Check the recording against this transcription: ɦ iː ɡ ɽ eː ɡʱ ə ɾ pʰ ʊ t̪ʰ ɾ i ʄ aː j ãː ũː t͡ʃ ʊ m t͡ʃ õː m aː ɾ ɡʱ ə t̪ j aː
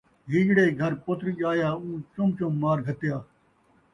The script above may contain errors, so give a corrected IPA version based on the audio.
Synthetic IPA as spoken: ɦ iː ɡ ɽ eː ɡʱ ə ɾ p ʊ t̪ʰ ɾ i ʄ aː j aː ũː t͡ʃ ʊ m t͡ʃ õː m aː ɾ ɡʱ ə t̪ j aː